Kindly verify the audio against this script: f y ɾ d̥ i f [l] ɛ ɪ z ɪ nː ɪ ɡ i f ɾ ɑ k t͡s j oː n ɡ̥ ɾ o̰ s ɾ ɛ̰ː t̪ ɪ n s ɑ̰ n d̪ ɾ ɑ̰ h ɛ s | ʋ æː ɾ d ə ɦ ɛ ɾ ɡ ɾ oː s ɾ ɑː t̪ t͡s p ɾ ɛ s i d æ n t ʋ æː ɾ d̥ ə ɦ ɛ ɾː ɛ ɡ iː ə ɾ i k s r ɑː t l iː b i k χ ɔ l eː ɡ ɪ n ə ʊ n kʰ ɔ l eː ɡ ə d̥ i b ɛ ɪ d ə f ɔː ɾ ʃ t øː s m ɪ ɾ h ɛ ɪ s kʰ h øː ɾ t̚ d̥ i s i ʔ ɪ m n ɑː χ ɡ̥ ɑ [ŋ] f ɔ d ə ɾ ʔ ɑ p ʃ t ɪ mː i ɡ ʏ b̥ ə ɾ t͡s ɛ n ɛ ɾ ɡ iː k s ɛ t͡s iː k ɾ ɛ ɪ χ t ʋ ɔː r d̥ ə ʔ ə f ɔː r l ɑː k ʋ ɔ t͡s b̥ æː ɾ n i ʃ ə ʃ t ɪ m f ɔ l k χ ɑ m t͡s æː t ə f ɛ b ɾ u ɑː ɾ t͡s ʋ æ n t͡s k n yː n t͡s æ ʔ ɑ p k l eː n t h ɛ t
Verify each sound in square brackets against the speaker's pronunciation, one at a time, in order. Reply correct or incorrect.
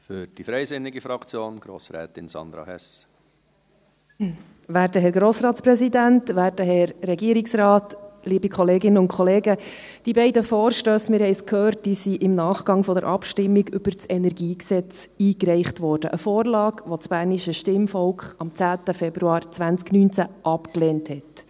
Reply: incorrect, correct

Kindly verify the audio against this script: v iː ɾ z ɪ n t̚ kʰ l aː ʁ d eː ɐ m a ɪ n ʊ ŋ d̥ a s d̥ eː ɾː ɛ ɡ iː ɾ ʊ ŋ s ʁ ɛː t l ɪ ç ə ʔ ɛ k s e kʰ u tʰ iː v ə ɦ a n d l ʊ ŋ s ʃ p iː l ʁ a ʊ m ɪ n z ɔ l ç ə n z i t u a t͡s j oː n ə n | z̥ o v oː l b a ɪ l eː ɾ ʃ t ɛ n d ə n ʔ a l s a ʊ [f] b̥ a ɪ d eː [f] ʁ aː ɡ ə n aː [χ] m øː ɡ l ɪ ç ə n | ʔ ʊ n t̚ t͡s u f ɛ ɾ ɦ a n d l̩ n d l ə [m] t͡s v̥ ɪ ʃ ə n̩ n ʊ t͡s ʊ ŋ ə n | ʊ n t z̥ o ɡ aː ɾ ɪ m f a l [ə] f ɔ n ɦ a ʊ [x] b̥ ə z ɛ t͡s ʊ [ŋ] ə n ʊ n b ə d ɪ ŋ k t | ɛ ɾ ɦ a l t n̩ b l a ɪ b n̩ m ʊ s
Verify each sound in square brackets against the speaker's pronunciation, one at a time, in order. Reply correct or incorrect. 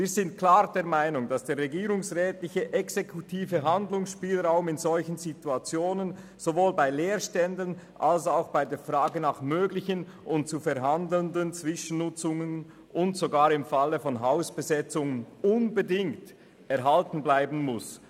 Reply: incorrect, correct, correct, incorrect, correct, incorrect, correct

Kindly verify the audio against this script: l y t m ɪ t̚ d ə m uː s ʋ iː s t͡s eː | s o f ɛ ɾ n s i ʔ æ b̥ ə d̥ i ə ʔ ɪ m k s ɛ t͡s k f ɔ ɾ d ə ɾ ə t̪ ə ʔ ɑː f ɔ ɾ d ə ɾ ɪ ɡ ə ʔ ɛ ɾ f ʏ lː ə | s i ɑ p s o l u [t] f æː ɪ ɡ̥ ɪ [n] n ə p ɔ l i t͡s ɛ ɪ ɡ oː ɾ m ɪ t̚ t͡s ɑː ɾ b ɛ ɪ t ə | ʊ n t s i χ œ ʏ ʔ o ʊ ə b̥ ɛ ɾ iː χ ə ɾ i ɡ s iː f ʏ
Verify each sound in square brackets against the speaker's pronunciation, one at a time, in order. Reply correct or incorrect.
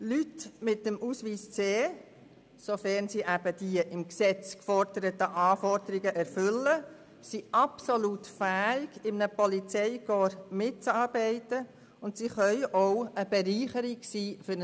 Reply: correct, incorrect

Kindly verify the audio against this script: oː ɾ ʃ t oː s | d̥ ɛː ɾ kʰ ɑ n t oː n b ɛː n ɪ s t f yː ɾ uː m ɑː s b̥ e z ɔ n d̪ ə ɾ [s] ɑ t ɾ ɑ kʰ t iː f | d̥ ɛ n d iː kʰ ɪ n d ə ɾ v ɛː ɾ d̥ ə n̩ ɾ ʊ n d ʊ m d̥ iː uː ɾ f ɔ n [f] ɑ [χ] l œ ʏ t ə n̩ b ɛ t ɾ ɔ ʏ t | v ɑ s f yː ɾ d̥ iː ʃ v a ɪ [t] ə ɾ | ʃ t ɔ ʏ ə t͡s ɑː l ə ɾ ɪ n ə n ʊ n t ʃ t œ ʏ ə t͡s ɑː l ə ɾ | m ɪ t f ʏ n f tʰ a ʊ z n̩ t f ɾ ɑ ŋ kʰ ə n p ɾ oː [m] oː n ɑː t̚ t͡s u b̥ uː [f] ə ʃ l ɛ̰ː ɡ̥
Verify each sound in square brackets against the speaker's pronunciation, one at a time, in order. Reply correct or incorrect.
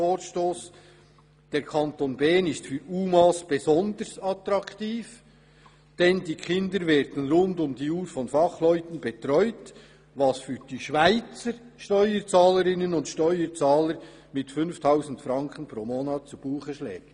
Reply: correct, correct, correct, incorrect, correct, incorrect

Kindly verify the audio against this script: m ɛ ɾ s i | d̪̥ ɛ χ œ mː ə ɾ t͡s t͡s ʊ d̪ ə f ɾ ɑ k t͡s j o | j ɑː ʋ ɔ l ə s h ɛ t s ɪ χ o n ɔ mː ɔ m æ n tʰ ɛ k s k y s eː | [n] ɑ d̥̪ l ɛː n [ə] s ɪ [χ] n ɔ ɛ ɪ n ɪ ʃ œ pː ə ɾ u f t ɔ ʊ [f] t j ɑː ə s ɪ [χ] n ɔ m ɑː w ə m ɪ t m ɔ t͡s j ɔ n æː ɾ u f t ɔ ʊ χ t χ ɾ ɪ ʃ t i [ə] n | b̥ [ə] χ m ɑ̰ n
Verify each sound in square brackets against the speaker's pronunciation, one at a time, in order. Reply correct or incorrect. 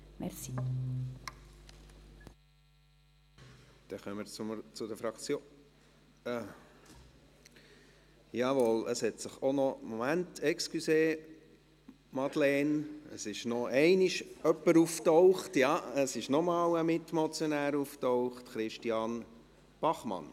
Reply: incorrect, correct, incorrect, incorrect, incorrect, incorrect, incorrect

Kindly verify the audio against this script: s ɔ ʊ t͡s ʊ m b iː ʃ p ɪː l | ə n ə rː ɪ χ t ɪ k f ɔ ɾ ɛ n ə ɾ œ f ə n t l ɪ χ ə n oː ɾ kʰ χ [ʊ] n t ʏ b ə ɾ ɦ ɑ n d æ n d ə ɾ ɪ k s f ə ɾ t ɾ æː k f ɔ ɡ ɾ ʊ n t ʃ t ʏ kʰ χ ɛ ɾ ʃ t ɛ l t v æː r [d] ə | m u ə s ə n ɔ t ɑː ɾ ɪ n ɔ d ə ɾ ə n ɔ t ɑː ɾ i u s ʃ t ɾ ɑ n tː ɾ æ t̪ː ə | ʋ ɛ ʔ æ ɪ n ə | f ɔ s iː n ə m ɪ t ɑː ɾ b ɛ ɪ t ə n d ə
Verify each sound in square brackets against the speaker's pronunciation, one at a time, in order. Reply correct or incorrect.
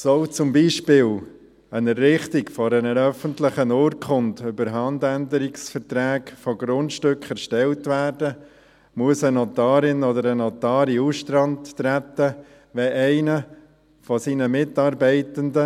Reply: correct, correct

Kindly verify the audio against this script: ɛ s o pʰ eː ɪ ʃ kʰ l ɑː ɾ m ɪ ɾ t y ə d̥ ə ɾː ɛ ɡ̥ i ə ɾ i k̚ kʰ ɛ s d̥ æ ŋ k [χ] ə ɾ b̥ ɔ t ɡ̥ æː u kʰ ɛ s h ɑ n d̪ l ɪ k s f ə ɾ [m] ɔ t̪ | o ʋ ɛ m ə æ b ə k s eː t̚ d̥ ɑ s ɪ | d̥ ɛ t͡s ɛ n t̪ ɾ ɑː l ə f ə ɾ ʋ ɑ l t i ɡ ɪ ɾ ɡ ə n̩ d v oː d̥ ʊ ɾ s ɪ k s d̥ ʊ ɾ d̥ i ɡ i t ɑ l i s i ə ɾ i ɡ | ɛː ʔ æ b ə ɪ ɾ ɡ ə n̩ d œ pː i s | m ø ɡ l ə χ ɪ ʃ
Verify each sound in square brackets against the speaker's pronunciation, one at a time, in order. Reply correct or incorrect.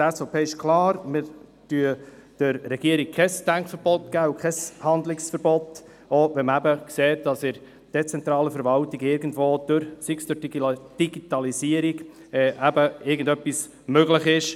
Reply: incorrect, incorrect

